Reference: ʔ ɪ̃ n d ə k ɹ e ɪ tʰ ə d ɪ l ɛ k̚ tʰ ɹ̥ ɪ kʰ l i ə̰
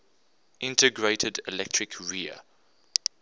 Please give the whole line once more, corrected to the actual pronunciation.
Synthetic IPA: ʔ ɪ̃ n t ə ɡ ɹ e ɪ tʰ ə d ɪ l ɛ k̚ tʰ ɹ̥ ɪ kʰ ɹ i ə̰